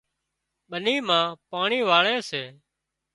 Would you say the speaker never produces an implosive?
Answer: no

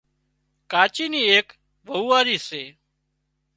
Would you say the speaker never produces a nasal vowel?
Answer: yes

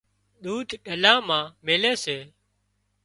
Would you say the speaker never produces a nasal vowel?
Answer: no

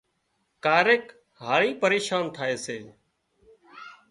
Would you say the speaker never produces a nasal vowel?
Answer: yes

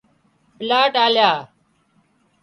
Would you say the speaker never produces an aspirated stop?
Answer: yes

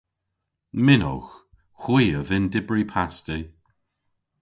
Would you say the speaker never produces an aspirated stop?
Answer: no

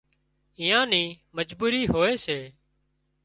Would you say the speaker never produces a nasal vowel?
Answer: no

